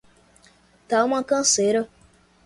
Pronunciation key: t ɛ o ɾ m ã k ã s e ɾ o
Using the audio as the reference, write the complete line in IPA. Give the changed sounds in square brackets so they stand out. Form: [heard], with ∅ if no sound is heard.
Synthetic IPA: t [a] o [∅] m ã k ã s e ɾ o